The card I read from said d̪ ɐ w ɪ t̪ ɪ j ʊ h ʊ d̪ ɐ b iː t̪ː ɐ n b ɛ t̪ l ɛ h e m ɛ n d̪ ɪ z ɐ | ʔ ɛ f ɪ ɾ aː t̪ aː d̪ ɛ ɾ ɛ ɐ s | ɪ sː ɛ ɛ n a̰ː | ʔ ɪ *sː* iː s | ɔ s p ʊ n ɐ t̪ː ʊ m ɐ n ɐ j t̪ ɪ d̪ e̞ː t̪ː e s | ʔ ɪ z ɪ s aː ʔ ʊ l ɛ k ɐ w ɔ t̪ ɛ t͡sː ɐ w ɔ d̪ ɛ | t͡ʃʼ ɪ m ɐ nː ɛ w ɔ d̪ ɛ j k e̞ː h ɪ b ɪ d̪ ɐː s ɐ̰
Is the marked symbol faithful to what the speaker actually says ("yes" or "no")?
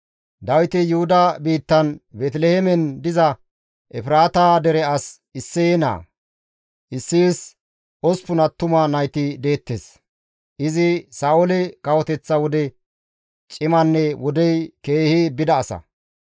yes